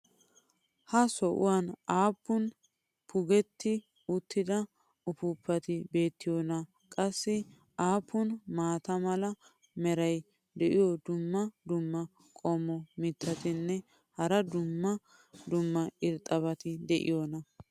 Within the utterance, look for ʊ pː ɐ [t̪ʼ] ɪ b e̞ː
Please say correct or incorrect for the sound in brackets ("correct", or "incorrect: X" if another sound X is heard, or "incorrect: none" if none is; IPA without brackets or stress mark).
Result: incorrect: t̪